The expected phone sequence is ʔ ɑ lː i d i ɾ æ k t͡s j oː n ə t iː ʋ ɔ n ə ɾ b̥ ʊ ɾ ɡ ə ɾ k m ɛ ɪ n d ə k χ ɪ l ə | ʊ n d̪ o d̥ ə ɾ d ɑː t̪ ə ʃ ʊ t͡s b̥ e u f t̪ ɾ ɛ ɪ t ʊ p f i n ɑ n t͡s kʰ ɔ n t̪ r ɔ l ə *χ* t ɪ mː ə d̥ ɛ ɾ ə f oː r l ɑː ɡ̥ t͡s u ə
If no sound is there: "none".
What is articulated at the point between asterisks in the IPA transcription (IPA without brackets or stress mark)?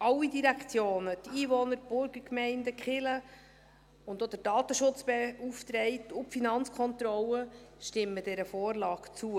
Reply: ʃ